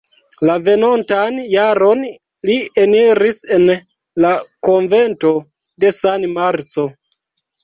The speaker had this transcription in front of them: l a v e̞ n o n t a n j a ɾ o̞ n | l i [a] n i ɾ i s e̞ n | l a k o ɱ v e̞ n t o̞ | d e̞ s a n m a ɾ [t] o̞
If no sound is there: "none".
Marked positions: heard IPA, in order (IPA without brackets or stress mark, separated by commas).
e, t͡s